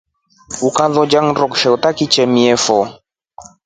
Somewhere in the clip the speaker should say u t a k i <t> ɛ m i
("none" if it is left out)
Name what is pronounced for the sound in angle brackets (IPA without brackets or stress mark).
t͡ʃ